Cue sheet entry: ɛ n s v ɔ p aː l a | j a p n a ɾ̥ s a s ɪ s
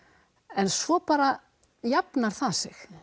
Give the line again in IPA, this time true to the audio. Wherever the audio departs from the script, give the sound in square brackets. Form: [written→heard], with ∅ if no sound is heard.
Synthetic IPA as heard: ɛ n s v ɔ p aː [l→ɾ] a | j a p n a ɾ̥ [s→θ] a s ɪ [s→x]